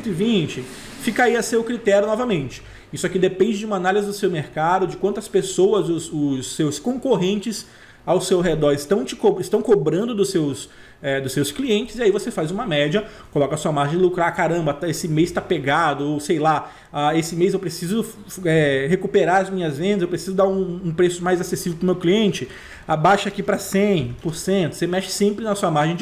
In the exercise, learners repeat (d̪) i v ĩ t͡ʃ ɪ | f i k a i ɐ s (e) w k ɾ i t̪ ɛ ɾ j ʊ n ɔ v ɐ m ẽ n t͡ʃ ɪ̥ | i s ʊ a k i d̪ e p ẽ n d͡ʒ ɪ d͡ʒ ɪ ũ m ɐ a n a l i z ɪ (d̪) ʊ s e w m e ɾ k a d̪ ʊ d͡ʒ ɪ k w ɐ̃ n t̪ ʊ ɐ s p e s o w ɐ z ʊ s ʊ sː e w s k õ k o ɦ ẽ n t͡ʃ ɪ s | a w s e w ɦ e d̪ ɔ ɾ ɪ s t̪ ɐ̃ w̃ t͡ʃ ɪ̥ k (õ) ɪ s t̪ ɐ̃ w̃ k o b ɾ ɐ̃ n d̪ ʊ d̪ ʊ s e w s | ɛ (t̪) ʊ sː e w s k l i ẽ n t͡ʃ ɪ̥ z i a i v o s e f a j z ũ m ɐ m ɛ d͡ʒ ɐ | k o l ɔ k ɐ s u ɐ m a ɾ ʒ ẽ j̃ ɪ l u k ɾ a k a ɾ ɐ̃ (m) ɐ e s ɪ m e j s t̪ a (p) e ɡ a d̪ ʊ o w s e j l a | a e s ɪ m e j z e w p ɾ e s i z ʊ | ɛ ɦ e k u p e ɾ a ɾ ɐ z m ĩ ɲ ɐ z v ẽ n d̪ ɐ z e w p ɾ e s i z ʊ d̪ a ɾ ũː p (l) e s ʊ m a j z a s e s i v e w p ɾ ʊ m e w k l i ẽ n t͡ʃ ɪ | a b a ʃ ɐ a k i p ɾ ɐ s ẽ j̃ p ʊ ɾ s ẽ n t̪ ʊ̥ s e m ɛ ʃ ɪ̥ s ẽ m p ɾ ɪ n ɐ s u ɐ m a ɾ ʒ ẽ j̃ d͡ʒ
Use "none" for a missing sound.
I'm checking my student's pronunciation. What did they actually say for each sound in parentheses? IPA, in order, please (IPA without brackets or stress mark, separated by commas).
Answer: t̪, e, d̪, o, d̪, b, p, ɾ